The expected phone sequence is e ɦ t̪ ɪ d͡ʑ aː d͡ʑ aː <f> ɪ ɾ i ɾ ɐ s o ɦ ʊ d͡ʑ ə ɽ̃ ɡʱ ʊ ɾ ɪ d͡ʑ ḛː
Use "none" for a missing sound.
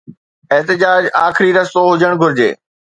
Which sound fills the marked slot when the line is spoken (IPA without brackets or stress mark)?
x